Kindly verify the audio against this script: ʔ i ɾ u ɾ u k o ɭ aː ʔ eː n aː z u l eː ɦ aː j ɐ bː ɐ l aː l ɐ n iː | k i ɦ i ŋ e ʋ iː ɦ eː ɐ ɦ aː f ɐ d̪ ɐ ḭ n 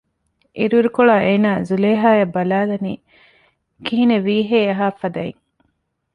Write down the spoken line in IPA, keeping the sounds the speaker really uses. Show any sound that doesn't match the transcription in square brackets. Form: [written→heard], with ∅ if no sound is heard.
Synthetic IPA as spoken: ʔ i ɾ u ɾ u k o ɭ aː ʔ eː n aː z u l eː ɦ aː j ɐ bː ɐ l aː l ɐ n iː | k i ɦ i [ŋ→n] e ʋ iː ɦ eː ɐ ɦ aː f ɐ d̪ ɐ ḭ [n→ŋ]

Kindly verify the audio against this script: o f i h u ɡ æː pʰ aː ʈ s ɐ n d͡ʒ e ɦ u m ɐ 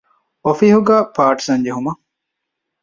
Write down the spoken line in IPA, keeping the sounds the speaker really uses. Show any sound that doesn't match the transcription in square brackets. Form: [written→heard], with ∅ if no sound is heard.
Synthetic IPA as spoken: o f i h u ɡ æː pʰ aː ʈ s ɐ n d͡ʒ e ɦ u m ɐ

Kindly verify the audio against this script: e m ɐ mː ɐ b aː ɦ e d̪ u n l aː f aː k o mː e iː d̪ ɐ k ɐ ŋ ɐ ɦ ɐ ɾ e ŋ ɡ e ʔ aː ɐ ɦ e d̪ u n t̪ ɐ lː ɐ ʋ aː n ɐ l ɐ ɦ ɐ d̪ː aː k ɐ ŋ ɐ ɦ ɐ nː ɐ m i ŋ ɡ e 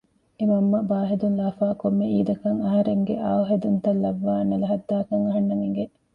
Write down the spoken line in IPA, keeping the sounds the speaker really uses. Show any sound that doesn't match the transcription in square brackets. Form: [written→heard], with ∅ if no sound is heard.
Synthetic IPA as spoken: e m ɐ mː ɐ b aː ɦ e d̪ u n l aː f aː k o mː e iː d̪ ɐ k ɐ ŋ ɐ ɦ ɐ ɾ e ŋ ɡ e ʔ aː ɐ ɦ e d̪ u n t̪ ɐ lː ɐ [ʋ→ʋː] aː n ɐ l ɐ ɦ ɐ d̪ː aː k ɐ ŋ ɐ ɦ ɐ nː ɐ m i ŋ ɡ e

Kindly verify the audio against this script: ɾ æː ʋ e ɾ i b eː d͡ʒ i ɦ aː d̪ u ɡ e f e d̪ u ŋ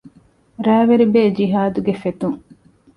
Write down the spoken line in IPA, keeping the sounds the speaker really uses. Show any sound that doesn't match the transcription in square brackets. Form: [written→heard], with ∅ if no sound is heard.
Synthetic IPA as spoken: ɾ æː ʋ e ɾ i b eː d͡ʒ i ɦ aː d̪ u ɡ e f e [d̪→t̪] u ŋ

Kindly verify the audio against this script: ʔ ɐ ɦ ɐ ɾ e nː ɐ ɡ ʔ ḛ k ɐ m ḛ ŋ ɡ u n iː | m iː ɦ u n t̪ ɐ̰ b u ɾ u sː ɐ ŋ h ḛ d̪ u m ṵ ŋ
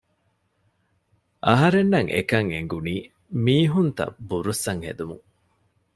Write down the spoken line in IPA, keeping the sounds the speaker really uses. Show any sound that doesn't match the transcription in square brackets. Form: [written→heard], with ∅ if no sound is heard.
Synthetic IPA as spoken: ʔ ɐ ɦ ɐ ɾ e nː ɐ [ɡ→ŋ] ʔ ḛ k ɐ [m→ŋ] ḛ ŋ ɡ u n iː | m iː ɦ u n t̪ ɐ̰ b u ɾ u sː ɐ ŋ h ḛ d̪ u m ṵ ŋ

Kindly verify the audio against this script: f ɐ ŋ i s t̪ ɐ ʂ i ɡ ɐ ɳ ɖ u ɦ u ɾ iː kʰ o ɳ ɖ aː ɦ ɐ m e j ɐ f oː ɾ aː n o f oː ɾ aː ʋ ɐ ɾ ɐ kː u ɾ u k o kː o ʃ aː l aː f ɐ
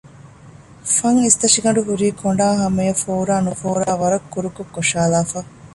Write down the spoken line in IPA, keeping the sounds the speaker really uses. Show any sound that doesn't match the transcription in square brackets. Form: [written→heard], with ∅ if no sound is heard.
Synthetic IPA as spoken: f ɐ ŋ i s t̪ ɐ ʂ i ɡ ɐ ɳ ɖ u ɦ u ɾ iː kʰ o ɳ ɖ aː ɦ ɐ m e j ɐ f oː ɾ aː n [o→u] f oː ɾ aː ʋ ɐ ɾ ɐ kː u ɾ u k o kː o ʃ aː l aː f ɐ

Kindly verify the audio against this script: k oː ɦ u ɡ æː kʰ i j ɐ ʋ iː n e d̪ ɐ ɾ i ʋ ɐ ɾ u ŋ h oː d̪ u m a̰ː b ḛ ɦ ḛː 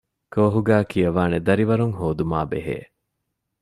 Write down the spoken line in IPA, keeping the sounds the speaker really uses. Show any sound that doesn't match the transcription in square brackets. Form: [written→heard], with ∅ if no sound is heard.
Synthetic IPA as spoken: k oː ɦ u ɡ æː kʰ i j ɐ ʋ [iː→aː] n e d̪ ɐ ɾ i ʋ ɐ ɾ u ŋ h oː d̪ u m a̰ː b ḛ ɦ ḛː

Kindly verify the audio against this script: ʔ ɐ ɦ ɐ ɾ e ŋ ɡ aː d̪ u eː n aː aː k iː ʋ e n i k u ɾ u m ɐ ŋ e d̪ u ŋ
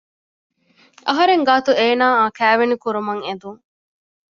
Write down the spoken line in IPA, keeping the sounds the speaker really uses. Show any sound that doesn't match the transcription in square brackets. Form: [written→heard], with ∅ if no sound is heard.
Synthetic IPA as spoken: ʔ ɐ ɦ ɐ ɾ e ŋ ɡ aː [d̪→t̪] u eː n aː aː k [iː→æː] ʋ e n i k u ɾ u m ɐ ŋ e d̪ u ŋ

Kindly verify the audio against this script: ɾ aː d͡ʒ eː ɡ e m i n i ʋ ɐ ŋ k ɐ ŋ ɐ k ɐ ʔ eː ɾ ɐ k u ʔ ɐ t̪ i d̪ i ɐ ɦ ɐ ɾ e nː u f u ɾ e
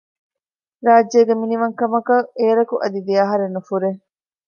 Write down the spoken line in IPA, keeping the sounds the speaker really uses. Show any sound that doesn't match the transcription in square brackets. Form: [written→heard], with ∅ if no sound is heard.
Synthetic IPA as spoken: ɾ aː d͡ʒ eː ɡ e m i n i ʋ ɐ ŋ k ɐ [ŋ→m] ɐ k ɐ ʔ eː ɾ ɐ k u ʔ ɐ [t̪→d̪] i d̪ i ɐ ɦ ɐ ɾ e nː u f u ɾ e

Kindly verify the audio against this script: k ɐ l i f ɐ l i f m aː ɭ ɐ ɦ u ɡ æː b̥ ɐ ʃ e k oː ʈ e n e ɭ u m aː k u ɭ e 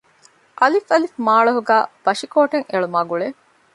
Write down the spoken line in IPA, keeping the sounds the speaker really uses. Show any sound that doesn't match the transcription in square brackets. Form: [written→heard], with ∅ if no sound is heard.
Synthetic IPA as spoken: [k→ʔ] ɐ l i f ɐ l i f m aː ɭ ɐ ɦ u ɡ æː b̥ ɐ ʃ [e→i] k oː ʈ e [n→ŋ] e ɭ u m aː [k→ɡ] u ɭ e

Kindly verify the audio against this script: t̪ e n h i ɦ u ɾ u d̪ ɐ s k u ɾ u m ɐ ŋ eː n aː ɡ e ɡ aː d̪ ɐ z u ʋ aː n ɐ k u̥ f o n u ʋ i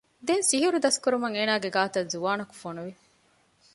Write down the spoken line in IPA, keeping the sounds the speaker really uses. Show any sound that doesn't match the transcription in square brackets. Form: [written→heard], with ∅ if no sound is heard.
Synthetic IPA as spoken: [t̪→d̪] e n [h→s] i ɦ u ɾ u d̪ ɐ s k u ɾ u m ɐ ŋ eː n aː ɡ e ɡ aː [d̪→t̪] ɐ z u ʋ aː n ɐ k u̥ f o n u ʋ i

